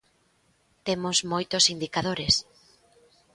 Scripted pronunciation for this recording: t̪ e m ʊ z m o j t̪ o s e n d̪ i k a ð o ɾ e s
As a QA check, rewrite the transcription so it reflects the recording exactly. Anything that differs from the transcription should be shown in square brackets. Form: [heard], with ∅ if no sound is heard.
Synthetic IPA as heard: t̪ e m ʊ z m o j t̪ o s [i] n d̪ i k a ð o ɾ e s